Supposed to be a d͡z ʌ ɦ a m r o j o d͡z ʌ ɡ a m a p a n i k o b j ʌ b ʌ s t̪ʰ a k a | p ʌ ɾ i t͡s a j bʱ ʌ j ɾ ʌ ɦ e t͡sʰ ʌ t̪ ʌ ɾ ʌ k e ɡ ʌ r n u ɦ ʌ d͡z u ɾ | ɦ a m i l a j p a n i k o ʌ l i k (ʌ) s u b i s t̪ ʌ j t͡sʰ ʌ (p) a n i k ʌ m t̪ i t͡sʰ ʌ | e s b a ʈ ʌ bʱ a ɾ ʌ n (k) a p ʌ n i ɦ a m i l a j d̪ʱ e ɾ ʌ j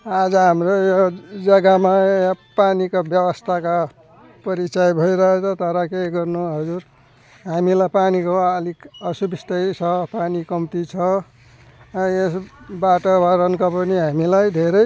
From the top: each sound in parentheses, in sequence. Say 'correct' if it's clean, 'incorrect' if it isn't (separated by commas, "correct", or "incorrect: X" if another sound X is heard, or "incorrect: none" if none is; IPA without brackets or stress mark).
correct, correct, correct